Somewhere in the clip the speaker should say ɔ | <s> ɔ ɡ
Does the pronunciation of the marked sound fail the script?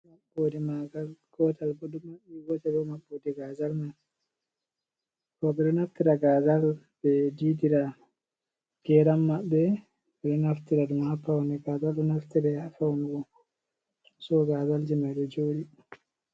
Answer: no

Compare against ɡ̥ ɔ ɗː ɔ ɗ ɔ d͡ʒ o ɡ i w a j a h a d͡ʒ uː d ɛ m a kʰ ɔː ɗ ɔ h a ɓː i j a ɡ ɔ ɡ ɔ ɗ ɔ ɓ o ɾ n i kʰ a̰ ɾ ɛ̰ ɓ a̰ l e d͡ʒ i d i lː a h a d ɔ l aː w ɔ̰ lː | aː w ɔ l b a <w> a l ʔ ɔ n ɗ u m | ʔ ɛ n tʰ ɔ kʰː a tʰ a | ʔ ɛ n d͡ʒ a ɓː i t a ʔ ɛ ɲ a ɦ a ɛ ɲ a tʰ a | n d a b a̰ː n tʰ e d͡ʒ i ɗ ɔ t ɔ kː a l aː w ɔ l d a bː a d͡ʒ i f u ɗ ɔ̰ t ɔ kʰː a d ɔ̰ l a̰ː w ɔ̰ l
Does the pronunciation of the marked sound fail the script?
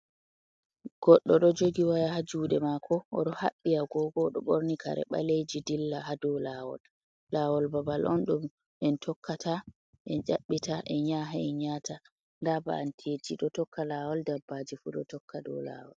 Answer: yes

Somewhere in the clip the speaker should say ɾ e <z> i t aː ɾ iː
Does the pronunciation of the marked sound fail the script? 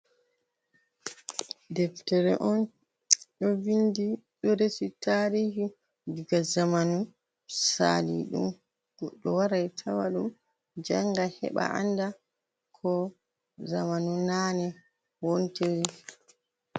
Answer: yes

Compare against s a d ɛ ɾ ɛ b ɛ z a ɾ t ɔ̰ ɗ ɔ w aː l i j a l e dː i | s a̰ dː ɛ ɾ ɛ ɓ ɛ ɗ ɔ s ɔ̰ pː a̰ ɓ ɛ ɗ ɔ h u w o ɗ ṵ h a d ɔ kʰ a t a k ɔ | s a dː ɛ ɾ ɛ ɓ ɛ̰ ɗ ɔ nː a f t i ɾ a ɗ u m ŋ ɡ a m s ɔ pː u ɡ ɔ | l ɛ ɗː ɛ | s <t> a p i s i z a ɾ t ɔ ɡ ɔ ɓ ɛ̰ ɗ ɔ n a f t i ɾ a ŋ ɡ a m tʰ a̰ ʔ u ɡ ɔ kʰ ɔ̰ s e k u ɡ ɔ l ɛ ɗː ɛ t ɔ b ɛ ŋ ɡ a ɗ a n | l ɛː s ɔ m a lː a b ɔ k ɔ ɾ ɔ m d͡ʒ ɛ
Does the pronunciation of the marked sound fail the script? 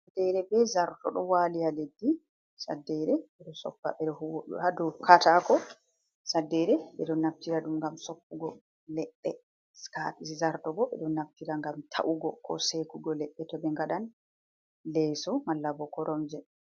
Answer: yes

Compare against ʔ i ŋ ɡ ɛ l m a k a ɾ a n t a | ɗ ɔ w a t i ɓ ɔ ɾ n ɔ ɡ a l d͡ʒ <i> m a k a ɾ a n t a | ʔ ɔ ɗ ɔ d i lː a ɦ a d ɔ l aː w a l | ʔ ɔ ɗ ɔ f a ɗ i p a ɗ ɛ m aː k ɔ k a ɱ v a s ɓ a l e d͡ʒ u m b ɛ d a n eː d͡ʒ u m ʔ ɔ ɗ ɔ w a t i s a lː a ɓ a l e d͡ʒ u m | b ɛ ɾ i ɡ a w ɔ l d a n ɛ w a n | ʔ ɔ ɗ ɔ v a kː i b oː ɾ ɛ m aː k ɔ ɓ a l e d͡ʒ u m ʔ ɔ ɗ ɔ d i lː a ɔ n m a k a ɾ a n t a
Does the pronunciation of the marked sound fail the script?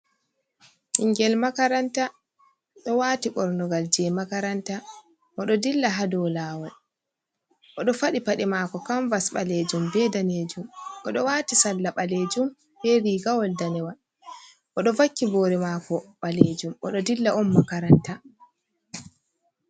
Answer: yes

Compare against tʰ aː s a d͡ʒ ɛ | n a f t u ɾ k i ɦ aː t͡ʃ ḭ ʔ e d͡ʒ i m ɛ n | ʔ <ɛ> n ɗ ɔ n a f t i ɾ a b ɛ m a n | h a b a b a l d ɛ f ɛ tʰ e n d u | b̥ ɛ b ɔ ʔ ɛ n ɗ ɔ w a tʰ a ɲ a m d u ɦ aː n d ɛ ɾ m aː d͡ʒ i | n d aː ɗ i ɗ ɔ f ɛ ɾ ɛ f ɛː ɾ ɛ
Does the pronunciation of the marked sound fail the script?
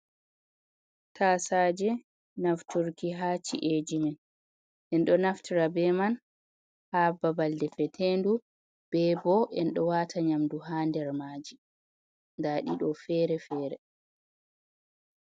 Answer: no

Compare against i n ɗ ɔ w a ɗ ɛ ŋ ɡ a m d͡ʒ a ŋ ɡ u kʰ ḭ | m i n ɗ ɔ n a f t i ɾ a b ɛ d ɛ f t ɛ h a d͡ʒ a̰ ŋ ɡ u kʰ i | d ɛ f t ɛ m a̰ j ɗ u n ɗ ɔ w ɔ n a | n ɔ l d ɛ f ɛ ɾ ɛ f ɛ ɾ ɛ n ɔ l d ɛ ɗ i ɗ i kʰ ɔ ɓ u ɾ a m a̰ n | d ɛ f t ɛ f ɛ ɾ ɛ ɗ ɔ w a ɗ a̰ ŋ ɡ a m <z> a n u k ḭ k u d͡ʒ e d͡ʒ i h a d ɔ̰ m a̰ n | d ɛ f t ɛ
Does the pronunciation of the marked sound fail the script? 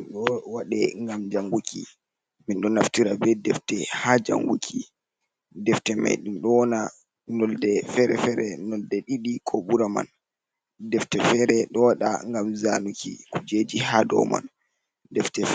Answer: no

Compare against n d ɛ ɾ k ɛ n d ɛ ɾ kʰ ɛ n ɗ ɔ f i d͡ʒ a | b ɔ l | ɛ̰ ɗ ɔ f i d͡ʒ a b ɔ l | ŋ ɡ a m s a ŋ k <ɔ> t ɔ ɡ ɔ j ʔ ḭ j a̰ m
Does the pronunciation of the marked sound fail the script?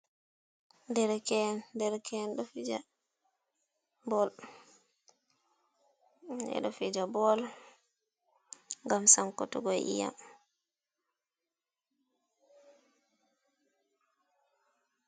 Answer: no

